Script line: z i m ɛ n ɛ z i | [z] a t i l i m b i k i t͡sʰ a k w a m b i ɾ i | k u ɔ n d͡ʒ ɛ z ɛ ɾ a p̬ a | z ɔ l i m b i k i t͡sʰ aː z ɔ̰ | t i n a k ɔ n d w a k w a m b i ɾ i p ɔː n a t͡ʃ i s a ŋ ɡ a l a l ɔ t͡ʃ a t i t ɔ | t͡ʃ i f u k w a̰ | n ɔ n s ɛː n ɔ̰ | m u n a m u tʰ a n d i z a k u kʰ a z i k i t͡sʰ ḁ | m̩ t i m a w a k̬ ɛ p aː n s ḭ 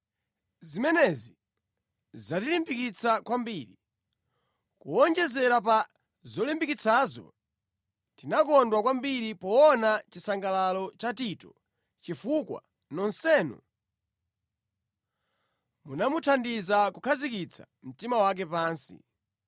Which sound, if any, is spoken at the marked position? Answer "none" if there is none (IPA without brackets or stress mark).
z